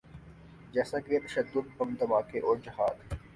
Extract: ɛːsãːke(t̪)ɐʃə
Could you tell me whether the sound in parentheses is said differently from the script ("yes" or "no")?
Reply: no